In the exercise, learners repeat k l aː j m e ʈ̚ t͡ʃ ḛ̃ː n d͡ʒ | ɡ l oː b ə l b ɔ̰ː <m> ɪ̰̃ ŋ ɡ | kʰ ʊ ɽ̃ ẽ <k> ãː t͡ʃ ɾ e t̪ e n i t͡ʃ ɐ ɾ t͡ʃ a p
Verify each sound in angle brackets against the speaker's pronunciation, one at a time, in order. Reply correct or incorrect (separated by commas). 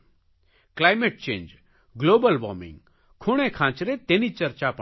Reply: correct, incorrect